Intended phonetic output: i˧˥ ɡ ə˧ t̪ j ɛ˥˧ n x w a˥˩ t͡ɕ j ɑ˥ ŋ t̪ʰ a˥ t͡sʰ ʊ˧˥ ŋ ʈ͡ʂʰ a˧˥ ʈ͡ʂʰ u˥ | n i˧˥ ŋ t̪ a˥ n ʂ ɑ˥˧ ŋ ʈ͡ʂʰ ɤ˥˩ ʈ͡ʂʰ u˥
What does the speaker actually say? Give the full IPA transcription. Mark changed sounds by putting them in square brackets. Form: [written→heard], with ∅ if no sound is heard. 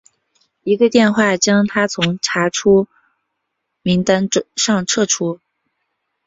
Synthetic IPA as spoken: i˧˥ ɡ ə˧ t̪ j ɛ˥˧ n x w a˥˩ t͡ɕ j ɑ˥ ŋ t̪ʰ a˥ t͡sʰ ʊ˧˥ ŋ ʈ͡ʂʰ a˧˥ ʈ͡ʂʰ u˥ | [n→m] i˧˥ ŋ t̪ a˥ n ʂ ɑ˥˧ ŋ ʈ͡ʂʰ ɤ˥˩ ʈ͡ʂʰ u˥